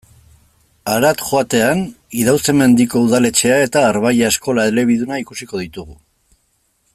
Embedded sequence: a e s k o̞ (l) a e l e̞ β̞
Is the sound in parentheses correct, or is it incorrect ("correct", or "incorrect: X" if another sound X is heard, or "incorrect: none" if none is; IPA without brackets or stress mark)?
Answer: correct